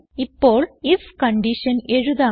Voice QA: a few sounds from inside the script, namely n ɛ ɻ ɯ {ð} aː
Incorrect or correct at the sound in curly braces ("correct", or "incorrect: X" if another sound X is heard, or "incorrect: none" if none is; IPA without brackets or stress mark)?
correct